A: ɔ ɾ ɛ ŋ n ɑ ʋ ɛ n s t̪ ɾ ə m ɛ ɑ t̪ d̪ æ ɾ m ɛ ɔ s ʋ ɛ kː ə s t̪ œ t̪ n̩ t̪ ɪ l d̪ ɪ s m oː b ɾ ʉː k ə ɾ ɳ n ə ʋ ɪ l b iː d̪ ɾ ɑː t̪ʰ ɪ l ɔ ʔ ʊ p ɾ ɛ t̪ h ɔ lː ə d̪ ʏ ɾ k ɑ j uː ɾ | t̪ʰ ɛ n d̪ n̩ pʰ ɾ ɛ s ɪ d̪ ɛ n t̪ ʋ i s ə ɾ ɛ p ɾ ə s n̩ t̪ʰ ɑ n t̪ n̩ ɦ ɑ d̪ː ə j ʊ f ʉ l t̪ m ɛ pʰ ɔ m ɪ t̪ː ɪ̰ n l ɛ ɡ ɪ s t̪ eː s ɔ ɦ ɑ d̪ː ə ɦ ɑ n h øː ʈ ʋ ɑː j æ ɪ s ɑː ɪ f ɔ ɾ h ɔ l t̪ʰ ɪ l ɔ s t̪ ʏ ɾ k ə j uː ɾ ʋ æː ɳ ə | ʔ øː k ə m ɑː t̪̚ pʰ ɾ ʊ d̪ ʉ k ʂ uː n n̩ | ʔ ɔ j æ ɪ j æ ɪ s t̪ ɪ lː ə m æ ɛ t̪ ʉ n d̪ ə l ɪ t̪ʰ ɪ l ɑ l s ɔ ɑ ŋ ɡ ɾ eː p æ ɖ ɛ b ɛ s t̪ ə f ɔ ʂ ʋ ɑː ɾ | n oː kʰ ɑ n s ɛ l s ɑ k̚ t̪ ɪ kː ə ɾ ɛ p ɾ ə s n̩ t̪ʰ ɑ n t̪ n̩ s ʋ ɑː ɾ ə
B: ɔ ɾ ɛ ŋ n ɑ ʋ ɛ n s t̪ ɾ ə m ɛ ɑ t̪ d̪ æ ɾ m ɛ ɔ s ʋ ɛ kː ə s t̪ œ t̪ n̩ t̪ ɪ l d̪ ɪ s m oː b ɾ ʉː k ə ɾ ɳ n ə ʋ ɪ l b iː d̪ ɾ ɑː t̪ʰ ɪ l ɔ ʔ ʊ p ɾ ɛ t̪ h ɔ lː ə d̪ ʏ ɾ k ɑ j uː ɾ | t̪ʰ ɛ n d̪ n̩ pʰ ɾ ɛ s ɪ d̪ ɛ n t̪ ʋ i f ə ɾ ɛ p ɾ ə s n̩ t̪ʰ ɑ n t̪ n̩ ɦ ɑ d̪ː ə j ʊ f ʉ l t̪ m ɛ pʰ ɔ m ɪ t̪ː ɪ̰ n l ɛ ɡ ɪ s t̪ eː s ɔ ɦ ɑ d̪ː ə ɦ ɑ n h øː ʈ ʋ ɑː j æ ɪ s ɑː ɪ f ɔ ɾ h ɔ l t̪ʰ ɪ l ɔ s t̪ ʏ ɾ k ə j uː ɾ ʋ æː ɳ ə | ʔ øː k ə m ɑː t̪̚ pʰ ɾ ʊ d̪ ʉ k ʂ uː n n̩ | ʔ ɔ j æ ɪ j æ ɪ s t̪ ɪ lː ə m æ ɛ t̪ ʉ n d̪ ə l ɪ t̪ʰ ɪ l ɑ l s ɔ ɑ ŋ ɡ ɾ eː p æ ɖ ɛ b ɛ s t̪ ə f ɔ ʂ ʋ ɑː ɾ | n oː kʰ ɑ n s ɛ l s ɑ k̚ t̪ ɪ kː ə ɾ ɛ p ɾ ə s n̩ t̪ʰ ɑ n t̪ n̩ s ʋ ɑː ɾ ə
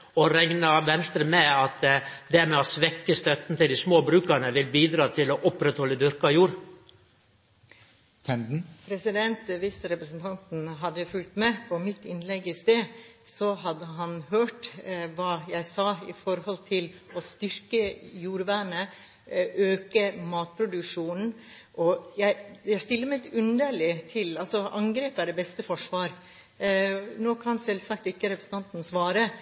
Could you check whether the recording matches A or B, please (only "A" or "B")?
A